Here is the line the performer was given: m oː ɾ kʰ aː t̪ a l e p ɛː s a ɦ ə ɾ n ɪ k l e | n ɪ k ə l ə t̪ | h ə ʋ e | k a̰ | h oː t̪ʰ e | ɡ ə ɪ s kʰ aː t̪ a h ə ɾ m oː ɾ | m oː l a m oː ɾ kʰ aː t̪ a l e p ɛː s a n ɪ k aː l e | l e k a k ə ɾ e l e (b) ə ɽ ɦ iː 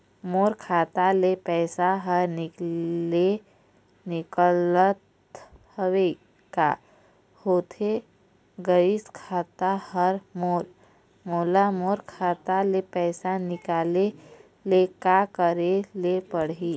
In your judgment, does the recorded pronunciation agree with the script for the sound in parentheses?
no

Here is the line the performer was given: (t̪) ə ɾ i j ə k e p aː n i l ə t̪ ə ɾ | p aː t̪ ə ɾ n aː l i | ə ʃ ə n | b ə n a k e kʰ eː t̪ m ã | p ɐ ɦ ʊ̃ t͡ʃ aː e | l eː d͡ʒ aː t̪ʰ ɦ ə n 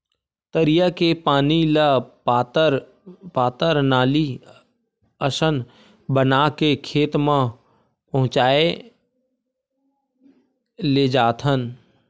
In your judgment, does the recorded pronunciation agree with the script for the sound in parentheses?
yes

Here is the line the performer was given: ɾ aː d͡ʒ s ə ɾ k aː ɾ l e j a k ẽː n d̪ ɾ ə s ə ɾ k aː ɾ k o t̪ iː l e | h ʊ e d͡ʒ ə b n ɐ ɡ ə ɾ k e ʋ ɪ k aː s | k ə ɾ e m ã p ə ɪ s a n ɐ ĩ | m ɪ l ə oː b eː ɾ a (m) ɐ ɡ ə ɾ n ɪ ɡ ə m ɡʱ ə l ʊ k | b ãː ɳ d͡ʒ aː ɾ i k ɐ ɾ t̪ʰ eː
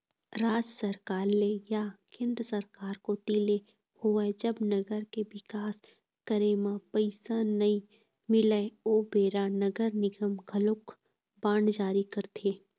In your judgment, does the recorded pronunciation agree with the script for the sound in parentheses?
no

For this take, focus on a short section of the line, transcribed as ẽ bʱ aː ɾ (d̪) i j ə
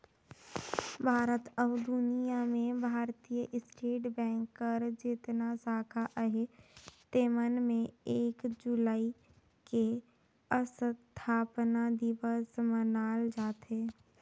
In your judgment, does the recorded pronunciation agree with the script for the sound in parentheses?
no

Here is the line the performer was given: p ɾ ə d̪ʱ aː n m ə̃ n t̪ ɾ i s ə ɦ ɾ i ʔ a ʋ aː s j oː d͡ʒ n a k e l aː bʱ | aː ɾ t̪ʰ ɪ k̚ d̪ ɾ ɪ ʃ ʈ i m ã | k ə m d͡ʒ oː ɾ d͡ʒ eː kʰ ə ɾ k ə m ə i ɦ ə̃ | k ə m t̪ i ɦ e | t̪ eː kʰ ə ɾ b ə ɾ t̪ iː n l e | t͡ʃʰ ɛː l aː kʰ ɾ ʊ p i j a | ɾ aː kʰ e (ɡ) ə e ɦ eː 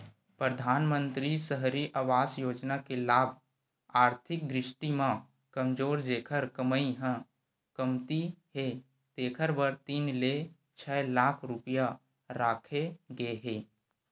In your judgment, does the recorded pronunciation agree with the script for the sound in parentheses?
yes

